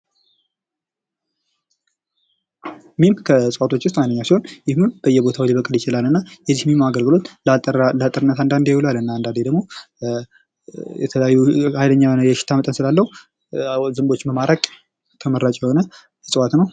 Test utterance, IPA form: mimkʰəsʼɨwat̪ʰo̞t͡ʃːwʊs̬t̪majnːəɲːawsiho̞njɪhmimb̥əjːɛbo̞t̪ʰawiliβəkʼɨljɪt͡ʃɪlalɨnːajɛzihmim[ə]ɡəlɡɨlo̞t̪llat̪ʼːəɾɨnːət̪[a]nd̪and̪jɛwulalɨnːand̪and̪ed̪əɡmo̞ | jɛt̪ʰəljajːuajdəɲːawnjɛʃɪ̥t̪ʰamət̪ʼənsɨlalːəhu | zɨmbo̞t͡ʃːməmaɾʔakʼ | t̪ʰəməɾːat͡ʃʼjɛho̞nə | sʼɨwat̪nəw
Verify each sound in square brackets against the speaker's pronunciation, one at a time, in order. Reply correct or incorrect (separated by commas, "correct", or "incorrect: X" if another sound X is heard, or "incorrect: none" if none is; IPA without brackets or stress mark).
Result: incorrect: a, correct